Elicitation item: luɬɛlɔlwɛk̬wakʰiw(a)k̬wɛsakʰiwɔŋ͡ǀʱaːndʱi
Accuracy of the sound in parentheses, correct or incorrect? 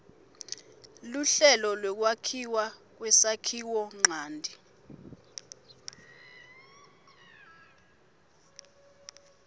correct